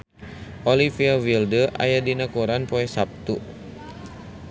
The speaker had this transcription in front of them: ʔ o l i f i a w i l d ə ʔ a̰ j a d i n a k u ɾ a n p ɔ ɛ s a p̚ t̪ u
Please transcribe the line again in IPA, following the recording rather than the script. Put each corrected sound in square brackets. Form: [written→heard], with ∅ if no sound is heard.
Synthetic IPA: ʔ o l i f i a w i l d ə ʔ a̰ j a d i n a k u ɾ a n p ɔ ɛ s a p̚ t̪ u